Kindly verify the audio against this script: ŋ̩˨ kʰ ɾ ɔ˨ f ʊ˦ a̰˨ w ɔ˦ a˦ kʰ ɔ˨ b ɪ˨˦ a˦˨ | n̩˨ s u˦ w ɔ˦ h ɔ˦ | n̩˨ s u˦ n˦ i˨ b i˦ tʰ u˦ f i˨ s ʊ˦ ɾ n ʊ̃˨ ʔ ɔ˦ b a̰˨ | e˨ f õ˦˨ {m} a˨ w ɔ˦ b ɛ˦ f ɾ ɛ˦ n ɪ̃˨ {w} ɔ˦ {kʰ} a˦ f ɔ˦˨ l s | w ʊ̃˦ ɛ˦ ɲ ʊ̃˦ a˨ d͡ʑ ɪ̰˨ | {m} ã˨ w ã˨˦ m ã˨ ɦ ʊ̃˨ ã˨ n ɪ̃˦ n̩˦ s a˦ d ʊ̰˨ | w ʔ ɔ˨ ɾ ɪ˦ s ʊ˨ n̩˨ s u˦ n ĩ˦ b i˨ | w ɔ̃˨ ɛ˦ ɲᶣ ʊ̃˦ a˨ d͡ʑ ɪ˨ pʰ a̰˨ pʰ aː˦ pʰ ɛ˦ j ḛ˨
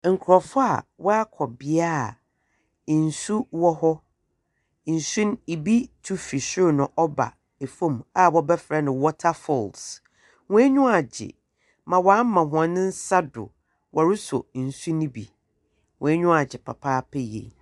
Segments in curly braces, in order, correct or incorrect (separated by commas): correct, correct, incorrect, correct